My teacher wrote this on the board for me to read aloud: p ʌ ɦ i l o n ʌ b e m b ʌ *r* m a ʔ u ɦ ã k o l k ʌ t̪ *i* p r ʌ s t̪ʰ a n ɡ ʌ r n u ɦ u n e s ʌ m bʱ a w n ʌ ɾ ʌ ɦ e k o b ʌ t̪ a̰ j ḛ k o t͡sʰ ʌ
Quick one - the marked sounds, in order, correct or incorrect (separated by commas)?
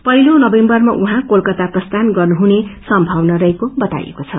correct, incorrect